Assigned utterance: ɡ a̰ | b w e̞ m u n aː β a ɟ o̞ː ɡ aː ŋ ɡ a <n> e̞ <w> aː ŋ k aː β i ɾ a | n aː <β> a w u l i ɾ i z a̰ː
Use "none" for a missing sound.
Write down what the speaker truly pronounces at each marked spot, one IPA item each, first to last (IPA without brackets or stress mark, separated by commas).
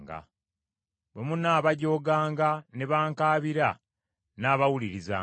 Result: n, β, β